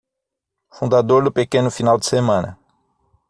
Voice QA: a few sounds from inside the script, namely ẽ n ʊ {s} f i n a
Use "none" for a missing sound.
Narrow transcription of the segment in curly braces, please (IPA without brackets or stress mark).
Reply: none